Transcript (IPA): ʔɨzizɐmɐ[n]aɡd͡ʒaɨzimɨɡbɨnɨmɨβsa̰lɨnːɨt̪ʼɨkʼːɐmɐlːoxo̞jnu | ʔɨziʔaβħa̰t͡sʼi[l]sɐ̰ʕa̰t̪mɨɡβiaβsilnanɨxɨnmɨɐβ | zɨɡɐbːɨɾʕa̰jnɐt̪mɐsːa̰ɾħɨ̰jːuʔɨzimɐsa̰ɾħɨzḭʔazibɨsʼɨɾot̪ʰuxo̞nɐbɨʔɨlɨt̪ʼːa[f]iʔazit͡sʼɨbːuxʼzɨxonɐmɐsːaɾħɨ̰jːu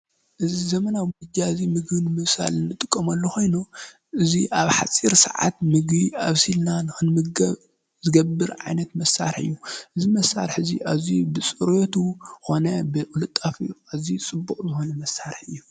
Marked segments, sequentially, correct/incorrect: correct, incorrect: ɾ, correct

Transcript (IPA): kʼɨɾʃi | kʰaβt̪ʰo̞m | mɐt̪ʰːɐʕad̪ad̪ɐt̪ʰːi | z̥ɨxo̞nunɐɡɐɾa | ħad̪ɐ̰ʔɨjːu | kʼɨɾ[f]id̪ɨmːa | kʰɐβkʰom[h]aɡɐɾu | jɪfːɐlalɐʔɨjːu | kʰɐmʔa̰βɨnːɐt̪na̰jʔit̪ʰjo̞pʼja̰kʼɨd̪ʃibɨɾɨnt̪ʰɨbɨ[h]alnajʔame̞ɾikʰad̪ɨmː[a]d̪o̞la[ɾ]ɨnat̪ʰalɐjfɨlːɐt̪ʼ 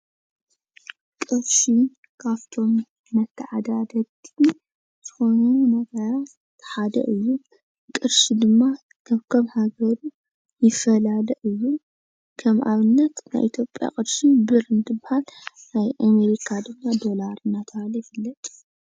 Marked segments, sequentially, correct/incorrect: incorrect: ʃ, correct, correct, correct, correct

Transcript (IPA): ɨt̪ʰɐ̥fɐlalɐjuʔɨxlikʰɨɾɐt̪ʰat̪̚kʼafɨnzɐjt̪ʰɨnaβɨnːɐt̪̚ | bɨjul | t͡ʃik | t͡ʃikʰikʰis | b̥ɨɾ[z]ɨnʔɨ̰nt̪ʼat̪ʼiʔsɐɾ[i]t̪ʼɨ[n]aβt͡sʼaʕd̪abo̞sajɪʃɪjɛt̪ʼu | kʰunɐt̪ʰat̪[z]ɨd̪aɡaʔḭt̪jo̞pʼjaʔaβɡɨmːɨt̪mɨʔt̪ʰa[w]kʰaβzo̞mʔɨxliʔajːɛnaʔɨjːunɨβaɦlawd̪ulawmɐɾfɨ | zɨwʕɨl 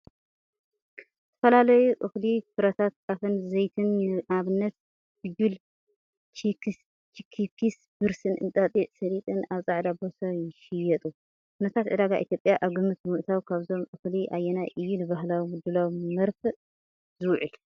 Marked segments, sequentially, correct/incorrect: incorrect: s, correct, correct, incorrect: ʕ, correct

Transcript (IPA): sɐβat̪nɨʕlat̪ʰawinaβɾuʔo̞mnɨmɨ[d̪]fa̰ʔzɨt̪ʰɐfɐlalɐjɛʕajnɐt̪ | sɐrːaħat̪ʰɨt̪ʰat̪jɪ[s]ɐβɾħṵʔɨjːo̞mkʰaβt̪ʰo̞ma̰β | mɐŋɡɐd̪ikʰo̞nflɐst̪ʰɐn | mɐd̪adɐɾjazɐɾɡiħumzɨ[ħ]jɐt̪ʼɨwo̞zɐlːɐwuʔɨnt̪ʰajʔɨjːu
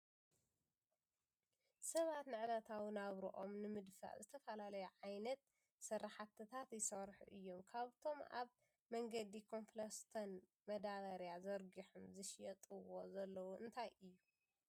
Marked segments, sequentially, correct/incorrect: correct, correct, incorrect: ʃ

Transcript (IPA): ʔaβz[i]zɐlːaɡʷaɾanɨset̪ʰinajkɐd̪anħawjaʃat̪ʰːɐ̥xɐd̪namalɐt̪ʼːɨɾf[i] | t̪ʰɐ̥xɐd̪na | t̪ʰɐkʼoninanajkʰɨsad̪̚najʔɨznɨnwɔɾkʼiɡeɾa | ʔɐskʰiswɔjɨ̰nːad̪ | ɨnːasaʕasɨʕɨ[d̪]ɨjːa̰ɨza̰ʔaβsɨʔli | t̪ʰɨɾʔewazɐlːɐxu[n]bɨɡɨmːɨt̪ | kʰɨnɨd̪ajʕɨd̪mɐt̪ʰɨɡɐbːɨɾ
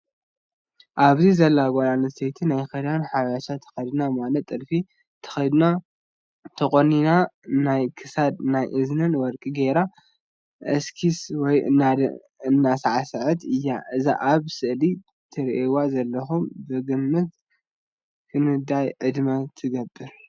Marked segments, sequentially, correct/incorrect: correct, correct, incorrect: t̪, incorrect: m

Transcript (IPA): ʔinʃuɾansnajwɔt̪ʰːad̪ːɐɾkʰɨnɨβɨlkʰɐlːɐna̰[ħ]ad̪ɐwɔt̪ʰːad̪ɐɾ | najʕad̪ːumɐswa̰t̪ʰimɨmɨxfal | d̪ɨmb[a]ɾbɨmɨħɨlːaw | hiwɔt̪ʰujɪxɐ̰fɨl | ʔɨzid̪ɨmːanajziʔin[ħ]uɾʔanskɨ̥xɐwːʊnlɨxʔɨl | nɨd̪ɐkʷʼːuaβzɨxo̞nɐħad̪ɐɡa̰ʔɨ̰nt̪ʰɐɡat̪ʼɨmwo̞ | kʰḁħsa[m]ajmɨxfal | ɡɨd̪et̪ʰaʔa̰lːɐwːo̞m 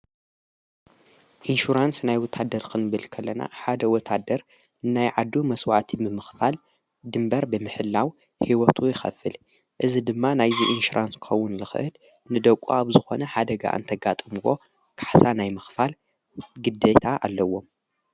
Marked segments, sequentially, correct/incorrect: correct, incorrect: ɐ, incorrect: ʃ, incorrect: n

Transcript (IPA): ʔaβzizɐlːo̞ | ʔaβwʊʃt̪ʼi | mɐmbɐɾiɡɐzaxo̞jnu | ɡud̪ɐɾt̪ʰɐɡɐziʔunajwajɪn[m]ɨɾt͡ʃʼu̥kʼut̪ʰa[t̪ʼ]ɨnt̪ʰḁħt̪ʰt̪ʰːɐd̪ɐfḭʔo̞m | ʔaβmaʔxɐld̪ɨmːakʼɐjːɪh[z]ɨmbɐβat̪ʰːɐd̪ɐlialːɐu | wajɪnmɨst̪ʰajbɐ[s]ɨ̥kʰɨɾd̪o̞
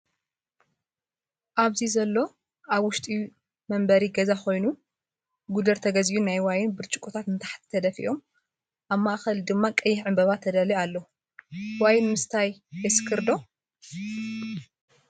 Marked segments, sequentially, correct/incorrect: incorrect: b, incorrect: t̪, incorrect: ʕ, correct

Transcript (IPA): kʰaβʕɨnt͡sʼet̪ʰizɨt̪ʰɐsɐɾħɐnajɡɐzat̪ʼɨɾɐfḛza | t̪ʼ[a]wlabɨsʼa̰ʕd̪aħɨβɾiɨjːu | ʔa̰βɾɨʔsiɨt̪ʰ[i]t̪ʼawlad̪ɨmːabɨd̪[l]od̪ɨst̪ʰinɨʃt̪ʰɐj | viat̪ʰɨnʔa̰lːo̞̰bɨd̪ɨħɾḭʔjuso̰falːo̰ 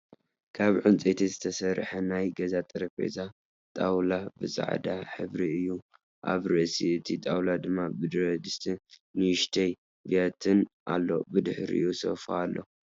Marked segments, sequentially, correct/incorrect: correct, correct, incorrect: ɾ

